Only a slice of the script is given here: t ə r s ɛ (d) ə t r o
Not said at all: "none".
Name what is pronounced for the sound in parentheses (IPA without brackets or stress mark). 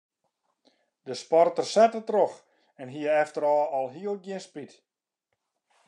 t